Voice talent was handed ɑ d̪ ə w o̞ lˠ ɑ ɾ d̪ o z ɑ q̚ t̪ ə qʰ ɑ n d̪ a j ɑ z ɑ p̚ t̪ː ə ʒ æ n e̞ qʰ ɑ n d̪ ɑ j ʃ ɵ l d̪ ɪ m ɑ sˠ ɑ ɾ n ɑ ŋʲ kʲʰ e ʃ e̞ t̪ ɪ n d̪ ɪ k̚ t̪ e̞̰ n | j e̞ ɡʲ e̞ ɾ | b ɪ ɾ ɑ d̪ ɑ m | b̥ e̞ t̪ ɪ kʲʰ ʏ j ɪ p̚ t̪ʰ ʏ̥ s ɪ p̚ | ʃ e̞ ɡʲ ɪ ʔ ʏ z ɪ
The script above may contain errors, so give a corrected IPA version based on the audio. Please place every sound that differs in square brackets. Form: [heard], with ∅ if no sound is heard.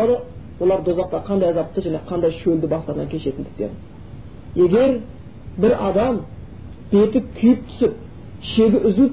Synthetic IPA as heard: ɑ d̪ ə w o̞ lˠ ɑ ɾ d̪ o z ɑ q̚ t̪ [ɑ] qʰ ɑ n d̪ [ɑ] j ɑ z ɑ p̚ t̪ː ə ʒ æ n e̞ qʰ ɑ n d̪ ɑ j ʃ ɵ l d̪ ɪ [b] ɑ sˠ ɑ ɾ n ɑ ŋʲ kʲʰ e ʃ e̞ t̪ ɪ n d̪ ɪ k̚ t̪ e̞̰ n | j e̞ ɡʲ e̞ ɾ | b ɪ ɾ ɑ d̪ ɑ m | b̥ e̞ t̪ ɪ kʲʰ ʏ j ɪ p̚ t̪ʰ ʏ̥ s ɪ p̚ | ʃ e̞ ɡʲ ɪ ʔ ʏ z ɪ